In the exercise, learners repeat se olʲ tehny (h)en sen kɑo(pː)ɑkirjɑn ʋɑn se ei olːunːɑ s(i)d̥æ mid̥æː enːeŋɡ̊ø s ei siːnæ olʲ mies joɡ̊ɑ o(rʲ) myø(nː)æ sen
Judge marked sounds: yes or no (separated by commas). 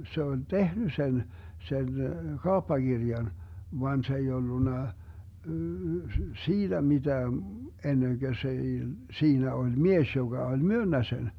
no, yes, no, no, yes